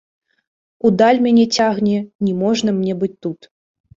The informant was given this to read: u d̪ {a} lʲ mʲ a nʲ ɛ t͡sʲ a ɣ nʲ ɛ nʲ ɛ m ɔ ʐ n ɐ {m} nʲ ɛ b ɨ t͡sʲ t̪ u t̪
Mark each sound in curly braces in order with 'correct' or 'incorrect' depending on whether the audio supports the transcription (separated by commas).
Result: correct, correct